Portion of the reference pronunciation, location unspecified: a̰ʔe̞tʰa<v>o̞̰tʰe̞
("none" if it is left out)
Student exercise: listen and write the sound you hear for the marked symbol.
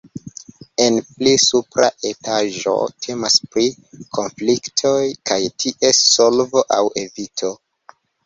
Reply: ʒ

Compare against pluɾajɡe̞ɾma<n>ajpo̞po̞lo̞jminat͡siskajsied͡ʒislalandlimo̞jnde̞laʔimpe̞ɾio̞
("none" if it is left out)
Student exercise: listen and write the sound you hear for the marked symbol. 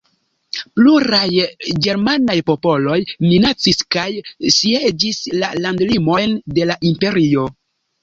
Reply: n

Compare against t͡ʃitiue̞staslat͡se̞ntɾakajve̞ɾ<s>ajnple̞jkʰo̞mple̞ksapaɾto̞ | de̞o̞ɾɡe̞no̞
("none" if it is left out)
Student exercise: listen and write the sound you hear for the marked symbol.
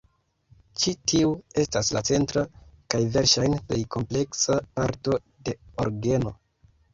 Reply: ʃ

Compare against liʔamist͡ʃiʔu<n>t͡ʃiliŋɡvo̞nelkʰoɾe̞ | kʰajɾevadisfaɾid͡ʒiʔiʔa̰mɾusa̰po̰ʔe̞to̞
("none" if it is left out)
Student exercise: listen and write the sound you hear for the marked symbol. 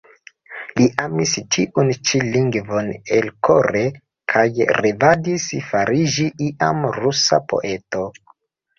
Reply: n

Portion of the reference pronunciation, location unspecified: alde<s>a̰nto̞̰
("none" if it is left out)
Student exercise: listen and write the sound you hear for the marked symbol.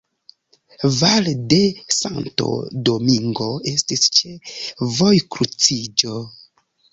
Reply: s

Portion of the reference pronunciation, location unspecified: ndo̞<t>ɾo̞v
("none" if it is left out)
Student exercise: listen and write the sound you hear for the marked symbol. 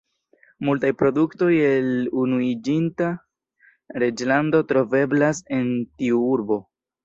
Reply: t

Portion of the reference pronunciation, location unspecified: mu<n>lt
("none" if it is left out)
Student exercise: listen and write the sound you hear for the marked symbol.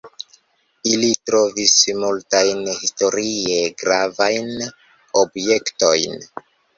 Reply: none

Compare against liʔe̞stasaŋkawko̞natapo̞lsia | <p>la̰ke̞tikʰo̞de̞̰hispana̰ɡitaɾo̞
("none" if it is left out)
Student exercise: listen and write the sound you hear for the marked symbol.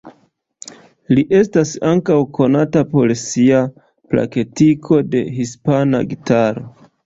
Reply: p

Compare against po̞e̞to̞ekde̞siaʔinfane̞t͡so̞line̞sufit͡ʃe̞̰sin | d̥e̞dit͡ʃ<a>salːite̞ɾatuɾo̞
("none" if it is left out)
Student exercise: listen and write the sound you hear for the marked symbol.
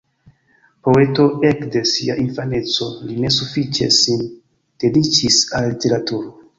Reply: i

